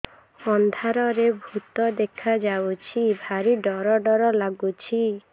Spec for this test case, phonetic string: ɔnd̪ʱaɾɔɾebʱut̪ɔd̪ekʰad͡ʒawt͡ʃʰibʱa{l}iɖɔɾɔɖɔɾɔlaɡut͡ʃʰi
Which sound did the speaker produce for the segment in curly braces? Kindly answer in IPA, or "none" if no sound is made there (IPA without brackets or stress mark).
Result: ɾ